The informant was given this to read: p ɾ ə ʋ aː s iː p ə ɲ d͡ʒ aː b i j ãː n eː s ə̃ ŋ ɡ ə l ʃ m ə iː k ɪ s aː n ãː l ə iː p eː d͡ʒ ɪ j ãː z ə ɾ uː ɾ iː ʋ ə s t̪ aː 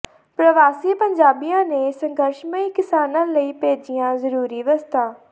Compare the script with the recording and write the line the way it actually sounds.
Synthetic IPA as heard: p ɾ ə ʋ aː s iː p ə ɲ d͡ʒ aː b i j ãː n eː s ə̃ ŋ ɡ ə ɾ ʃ m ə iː k ɪ s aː n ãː l ə iː p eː d͡ʒ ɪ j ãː z ə ɾ uː ɾ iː ʋ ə s t̪ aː